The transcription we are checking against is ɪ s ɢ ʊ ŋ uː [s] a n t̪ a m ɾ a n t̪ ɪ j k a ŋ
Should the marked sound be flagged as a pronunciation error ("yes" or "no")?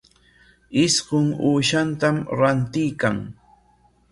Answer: yes